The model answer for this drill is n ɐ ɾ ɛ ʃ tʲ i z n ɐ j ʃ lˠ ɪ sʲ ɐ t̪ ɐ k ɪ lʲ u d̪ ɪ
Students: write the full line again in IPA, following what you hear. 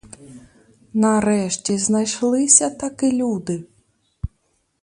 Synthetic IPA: n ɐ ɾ ɛ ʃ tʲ i z n ɐ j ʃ lˠ ɪ sʲ ɐ t̪ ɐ k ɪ lʲ u d̪ ɪ